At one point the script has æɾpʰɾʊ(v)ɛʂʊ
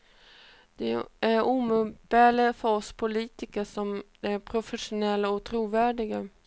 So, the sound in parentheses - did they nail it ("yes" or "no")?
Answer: no